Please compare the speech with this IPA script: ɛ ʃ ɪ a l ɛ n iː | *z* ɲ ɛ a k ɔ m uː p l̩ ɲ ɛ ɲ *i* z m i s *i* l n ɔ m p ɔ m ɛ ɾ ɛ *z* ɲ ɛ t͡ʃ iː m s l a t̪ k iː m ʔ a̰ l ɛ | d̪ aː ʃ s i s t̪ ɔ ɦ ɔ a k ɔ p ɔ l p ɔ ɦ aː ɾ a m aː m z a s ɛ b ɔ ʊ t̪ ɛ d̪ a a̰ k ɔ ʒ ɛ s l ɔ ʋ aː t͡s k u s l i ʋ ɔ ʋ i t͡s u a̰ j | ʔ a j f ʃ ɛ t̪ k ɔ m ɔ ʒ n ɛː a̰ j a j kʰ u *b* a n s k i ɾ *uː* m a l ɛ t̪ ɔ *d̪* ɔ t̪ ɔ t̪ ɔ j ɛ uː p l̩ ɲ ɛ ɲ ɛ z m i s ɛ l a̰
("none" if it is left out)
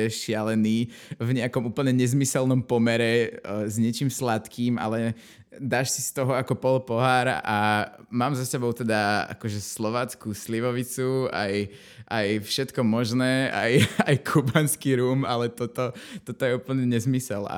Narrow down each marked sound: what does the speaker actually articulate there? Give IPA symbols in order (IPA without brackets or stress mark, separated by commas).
v, ɛ, ɛ, z, b, uː, t̪